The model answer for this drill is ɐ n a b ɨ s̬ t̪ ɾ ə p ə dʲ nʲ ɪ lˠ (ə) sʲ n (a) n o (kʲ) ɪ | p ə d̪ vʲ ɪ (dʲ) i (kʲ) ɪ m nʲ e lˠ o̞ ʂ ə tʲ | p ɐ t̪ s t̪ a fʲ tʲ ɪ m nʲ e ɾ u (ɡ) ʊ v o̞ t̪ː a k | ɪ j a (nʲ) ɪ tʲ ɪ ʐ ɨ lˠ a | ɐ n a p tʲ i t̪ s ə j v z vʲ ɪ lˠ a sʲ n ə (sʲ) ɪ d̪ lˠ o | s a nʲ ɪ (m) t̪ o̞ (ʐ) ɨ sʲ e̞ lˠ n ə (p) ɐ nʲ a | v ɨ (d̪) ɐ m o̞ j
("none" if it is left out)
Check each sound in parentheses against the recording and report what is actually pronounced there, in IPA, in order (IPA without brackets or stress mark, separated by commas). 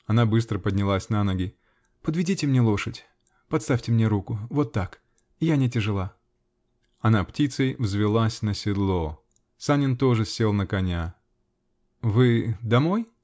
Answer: a, a, ɡʲ, dʲ, tʲ, k, nʲ, sʲ, n, ʐ, k, d̪